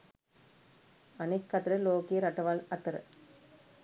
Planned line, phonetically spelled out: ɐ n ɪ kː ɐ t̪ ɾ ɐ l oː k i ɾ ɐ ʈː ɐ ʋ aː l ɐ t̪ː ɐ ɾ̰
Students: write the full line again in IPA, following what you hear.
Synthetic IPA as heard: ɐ n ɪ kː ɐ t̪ ɾ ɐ l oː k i ɾ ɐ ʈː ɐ ʋ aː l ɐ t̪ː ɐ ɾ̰